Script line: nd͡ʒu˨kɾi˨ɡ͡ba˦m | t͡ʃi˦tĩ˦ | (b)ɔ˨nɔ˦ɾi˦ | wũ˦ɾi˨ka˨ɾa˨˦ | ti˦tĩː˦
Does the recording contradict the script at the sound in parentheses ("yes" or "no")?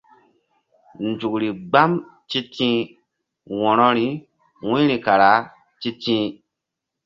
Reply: yes